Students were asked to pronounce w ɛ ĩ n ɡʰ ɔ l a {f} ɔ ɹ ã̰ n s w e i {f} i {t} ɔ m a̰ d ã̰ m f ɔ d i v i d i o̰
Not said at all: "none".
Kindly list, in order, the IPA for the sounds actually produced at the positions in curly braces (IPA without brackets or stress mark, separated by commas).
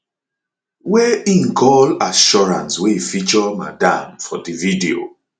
ʃ, f, t͡ʃ